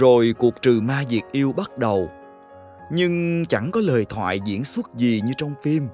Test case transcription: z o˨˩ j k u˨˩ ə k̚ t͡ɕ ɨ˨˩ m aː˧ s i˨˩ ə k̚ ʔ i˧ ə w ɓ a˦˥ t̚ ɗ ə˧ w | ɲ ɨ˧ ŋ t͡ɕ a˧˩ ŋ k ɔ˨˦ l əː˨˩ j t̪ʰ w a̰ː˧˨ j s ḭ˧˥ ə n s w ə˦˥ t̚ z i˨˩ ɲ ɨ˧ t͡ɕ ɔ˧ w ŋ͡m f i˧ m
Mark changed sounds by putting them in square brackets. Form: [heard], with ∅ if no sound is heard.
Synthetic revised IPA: z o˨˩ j k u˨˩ ə k̚ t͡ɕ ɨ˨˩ m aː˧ [z] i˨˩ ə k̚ ʔ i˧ ə w ɓ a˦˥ t̚ ɗ [ə˨˩] w | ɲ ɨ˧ ŋ t͡ɕ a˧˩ ŋ k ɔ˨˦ l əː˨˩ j t̪ʰ w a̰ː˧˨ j [z] ḭ˧˥ ə n s w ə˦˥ t̚ z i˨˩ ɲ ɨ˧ t͡ɕ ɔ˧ w ŋ͡m f i˧ m